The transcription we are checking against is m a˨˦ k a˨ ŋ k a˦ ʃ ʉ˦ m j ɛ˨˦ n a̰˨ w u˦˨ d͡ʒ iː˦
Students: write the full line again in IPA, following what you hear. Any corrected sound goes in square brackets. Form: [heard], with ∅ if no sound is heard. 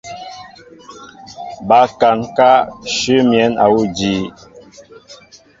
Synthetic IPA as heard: [b] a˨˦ k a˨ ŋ k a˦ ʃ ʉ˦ m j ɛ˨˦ n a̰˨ w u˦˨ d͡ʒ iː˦

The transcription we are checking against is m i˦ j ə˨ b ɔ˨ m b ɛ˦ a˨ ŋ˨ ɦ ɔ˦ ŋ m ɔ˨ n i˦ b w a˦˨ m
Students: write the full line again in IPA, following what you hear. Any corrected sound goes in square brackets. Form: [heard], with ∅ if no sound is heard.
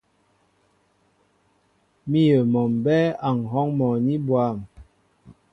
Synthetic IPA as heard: m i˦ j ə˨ [m] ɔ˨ m b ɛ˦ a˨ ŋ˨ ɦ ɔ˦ ŋ m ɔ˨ n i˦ b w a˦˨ m

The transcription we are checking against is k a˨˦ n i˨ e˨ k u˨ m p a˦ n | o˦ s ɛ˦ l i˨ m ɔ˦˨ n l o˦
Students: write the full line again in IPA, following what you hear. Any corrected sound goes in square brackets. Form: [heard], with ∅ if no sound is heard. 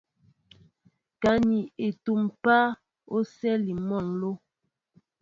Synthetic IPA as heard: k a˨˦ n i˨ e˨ [t] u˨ m p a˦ [∅] | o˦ s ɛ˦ l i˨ m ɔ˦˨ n l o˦

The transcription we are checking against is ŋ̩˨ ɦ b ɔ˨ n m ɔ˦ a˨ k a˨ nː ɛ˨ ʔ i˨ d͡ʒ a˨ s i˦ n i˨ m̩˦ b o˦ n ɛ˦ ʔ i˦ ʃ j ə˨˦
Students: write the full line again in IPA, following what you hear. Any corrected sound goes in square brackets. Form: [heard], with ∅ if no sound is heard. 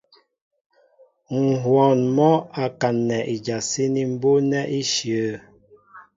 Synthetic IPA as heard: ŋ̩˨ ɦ [w] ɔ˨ n m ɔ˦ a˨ k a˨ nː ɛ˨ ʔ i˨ d͡ʒ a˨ s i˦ n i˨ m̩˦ b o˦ n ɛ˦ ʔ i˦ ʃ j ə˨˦

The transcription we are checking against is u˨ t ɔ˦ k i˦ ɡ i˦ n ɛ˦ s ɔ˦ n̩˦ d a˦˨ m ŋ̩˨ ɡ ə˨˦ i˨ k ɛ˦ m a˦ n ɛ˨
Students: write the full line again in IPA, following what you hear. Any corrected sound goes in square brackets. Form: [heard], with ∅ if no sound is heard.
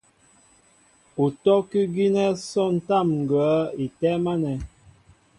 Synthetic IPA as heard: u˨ t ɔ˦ k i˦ ɡ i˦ n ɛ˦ s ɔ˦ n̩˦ [t] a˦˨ m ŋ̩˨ ɡ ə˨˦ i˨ [t] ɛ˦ m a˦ n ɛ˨

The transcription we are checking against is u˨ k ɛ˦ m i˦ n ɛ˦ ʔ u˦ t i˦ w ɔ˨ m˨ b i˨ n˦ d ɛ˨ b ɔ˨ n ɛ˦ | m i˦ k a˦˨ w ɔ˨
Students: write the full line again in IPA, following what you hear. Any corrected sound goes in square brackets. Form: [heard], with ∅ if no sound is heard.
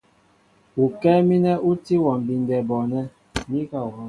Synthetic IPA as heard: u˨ k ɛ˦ m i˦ n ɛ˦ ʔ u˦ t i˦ w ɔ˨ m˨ b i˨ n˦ d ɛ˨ b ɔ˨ n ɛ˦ | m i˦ k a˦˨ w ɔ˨

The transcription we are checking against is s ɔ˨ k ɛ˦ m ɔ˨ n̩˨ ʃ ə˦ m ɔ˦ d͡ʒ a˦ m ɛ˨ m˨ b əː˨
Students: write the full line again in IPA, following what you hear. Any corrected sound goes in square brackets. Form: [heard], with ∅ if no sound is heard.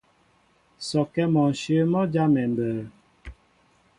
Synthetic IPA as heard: s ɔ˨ k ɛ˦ m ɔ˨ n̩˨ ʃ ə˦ m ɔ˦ d͡ʒ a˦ m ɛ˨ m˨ b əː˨

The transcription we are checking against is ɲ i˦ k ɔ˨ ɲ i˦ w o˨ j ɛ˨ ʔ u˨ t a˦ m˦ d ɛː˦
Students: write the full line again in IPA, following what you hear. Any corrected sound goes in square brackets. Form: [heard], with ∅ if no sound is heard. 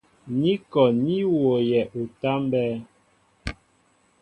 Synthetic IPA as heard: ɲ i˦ k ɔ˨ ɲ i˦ w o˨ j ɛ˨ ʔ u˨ t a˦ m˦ [b] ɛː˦

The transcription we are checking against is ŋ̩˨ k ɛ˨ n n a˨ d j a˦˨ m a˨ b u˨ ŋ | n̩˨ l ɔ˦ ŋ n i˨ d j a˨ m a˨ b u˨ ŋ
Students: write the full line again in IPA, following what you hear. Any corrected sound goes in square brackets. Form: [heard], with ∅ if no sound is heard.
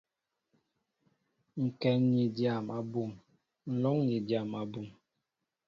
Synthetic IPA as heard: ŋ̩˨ k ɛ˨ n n [i˨] d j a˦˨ m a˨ b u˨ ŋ | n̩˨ l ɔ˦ ŋ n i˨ d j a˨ m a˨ b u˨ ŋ

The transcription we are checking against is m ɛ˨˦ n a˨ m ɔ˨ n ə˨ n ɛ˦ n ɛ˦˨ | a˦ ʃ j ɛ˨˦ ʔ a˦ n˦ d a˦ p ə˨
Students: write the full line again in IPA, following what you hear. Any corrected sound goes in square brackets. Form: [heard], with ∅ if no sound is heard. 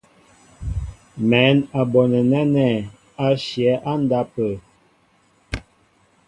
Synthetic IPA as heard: m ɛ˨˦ n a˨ [b] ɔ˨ n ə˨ n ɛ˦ n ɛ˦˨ | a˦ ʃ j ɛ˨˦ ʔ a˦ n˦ d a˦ p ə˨

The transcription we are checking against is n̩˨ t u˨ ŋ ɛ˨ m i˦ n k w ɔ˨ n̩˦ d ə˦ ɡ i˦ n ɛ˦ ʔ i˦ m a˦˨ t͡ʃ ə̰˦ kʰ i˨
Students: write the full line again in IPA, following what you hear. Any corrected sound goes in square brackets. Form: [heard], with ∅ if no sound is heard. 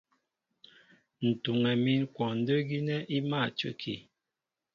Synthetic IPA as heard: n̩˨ t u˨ ŋ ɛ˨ m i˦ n k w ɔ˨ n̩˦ d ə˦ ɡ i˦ n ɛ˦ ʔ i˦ m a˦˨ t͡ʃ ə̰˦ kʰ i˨

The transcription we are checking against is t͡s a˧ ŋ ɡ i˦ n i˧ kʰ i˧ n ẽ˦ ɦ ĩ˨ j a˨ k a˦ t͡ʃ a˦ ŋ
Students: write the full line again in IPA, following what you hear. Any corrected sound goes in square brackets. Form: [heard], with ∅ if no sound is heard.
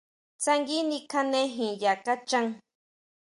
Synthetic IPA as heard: t͡s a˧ ŋ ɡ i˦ n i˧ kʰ [a˧] n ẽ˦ ɦ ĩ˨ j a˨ k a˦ t͡ʃ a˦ ŋ

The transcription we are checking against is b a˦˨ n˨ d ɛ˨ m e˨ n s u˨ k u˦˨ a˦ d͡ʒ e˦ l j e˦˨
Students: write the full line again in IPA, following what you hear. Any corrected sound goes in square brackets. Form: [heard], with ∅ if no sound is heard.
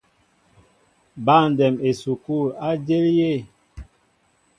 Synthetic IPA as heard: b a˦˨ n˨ d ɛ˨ m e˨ [∅] s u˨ k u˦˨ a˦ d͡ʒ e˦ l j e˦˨

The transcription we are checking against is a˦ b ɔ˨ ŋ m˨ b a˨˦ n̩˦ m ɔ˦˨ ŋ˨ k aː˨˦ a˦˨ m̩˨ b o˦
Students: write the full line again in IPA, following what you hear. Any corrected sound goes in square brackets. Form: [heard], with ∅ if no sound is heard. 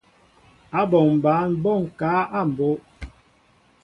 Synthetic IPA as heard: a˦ b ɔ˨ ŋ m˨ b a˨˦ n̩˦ [b] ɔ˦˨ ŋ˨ k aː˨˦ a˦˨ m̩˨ b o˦

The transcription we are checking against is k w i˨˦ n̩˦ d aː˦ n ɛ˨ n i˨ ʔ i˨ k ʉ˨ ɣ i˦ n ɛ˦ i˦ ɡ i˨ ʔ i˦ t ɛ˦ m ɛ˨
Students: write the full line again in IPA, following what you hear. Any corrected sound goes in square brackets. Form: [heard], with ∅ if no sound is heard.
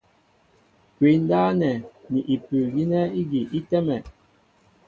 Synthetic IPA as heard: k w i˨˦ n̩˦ d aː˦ n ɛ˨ n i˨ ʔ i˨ [p] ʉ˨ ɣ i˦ n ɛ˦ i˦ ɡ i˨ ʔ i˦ t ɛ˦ m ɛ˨

